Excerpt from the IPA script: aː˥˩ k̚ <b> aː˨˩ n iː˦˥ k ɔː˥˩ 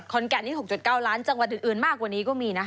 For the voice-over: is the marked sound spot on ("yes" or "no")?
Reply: no